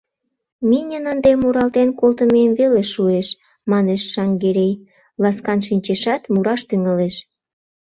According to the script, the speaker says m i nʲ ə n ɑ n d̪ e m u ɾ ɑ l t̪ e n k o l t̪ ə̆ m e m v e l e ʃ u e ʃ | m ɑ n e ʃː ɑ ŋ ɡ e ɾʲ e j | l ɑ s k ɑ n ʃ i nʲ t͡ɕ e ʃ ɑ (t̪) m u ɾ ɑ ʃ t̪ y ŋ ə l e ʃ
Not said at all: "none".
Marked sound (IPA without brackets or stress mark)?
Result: t̪